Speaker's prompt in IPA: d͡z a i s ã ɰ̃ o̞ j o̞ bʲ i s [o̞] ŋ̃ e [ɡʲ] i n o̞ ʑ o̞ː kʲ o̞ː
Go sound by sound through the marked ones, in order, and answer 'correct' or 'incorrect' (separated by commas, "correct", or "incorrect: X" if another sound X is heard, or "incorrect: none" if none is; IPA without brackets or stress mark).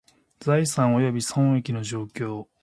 incorrect: õ̞, incorrect: kʲ